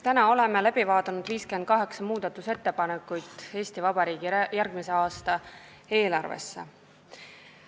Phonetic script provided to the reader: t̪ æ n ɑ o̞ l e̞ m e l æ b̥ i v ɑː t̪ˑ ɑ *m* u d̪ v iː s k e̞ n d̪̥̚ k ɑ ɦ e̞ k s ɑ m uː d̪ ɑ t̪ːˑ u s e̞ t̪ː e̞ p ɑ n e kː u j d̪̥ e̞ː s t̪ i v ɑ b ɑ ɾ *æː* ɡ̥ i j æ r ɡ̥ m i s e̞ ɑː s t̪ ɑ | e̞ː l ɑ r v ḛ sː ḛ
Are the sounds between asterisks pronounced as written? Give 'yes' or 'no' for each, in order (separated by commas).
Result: no, no